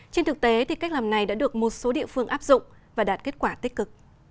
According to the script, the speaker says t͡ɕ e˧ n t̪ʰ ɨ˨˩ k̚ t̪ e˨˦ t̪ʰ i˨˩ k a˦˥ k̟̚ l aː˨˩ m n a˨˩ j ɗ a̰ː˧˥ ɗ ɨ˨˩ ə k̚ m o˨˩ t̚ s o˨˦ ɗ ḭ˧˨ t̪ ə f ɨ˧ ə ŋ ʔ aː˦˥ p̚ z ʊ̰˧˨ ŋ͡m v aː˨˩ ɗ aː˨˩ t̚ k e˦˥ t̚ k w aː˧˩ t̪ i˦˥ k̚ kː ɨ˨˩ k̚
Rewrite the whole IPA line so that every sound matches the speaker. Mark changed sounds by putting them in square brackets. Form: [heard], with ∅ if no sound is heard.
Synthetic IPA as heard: t͡ɕ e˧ n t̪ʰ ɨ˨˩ k̚ t̪ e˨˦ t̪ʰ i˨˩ k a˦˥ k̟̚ l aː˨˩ m n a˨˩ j ɗ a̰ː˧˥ ɗ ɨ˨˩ ə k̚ m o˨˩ t̚ s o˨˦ ɗ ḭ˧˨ [∅] ə f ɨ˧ ə ŋ ʔ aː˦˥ p̚ z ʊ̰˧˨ ŋ͡m v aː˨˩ ɗ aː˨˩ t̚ k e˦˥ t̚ k w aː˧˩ t̪ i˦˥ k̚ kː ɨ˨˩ k̚